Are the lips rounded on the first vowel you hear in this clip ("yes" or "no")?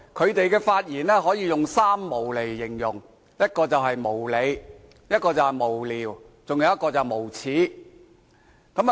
yes